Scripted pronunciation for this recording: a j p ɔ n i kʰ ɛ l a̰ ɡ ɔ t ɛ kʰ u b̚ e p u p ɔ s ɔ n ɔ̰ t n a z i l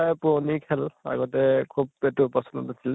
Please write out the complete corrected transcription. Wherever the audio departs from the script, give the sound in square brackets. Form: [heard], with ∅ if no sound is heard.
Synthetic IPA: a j p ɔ n i kʰ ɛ l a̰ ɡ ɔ t ɛ kʰ u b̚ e [t] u p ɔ s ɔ n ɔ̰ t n a [s] i l